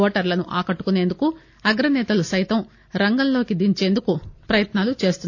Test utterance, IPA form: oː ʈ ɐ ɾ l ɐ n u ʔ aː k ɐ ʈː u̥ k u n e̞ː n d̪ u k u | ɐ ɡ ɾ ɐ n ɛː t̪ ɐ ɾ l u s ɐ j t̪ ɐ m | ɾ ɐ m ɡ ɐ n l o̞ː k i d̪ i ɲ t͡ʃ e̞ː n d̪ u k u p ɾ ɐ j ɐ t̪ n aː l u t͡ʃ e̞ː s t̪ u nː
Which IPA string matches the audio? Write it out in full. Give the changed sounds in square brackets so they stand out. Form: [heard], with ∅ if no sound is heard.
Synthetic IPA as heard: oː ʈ ɐ ɾ l ɐ n u ʔ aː k ɐ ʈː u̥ k u n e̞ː n d̪ u k u | ɐ ɡ ɾ ɐ n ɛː t̪ ɐ [∅] l u s ɐ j t̪ ɐ m | ɾ ɐ [ŋ] ɡ ɐ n l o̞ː k i d̪ i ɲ t͡ʃ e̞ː n d̪ u k u p ɾ ɐ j ɐ t̪ n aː l u t͡ʃ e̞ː s t̪ u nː